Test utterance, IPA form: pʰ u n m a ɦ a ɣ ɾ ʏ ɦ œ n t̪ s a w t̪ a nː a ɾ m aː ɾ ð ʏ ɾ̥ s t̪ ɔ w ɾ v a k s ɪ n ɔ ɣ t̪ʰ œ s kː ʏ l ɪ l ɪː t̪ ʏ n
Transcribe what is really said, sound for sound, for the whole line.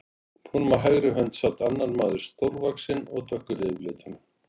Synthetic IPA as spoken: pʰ u n m a ɦ a ɣ ɾ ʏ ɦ œ n t̪ s a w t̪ a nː a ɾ m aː ð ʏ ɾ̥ s t̪ o w ɾ v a k s ɪ n ɔ ɣ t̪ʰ œ h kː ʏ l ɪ l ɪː t̪ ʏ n